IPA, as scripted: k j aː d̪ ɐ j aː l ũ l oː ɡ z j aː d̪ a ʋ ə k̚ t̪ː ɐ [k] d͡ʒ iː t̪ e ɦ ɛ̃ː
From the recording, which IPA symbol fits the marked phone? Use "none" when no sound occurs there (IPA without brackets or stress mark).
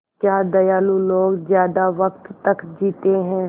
k